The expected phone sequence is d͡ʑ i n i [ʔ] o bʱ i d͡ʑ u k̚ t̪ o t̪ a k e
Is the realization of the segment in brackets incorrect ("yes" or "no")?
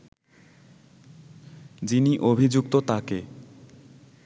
no